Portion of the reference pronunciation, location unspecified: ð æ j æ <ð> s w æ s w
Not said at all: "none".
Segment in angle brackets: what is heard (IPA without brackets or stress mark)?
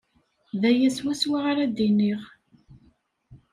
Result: none